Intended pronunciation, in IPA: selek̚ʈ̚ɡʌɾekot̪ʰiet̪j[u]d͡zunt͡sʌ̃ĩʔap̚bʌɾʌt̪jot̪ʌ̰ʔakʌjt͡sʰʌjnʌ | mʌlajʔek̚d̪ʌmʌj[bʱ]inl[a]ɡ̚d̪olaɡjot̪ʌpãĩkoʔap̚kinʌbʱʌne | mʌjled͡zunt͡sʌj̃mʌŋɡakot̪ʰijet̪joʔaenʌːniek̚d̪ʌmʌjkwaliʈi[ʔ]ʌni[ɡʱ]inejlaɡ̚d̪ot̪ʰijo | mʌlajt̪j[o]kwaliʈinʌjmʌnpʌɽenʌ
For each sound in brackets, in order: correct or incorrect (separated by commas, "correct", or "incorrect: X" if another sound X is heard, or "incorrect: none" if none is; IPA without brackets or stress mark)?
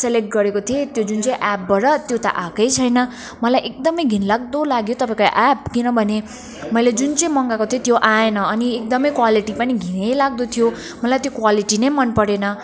incorrect: o, incorrect: ɡʱ, correct, incorrect: p, correct, correct